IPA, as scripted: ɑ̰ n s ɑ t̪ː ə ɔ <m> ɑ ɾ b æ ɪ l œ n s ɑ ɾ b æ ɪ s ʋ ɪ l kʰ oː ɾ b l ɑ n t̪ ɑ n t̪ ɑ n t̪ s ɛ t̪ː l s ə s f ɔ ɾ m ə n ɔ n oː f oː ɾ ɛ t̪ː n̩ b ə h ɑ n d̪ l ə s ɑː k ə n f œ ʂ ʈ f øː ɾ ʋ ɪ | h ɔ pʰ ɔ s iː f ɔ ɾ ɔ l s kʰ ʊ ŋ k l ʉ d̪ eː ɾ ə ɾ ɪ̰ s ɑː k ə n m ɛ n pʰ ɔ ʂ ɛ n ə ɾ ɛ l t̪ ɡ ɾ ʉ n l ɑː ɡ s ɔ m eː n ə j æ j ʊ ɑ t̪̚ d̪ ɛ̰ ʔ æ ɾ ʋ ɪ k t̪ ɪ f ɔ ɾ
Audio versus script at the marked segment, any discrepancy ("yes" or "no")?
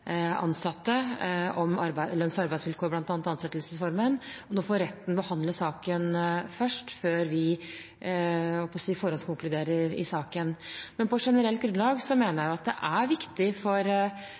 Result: no